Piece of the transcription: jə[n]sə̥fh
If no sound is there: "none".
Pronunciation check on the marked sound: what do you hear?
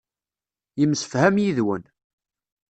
m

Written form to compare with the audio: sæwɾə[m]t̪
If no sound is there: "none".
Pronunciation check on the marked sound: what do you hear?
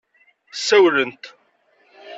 n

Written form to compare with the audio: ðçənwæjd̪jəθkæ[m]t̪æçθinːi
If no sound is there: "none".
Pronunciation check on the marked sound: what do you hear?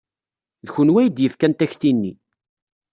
n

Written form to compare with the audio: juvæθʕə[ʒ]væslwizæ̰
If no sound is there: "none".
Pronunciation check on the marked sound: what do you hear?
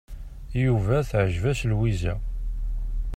ʒ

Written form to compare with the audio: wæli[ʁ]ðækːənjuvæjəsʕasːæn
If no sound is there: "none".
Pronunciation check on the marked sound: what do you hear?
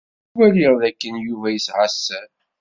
ʁ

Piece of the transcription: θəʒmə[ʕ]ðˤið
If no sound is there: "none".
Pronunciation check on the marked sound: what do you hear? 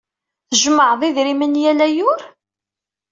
ʕ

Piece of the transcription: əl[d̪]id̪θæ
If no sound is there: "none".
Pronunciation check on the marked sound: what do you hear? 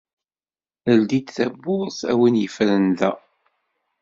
d̪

